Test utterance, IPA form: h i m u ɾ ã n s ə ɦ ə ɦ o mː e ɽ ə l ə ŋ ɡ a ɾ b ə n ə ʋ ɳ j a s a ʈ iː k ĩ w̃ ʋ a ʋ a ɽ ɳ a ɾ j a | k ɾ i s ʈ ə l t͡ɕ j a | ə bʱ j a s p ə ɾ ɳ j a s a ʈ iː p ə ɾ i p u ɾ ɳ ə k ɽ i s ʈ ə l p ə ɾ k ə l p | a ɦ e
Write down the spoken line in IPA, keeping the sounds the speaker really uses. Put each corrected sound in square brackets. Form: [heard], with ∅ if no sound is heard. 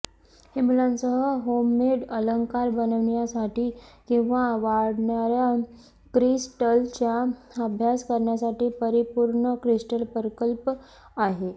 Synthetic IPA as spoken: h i m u [l] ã n s ə ɦ ə ɦ o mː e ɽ ə l ə ŋ [k] a ɾ b ə n ə ʋ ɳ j a s a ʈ iː k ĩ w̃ ʋ a ʋ a ɽ ɳ a ɾ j a | k ɾ i s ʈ ə l t͡ɕ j a | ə bʱ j a s [k] ə ɾ ɳ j a s a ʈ iː p ə ɾ i p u ɾ ɳ ə k [ɾ] i s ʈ ə l p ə ɾ k ə l p | a ɦ e